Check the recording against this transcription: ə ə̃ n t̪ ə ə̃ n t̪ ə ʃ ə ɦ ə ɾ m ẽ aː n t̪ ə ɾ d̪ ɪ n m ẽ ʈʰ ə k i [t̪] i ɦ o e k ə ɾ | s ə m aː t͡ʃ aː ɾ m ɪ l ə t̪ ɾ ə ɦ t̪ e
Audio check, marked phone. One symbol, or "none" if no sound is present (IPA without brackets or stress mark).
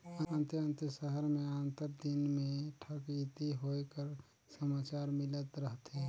t̪